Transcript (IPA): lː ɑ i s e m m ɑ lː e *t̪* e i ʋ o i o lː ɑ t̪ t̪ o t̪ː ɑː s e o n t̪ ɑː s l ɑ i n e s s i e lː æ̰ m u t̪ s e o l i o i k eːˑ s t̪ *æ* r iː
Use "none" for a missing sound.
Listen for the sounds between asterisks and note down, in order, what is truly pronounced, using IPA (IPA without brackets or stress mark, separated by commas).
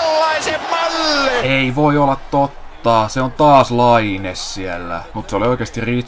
none, i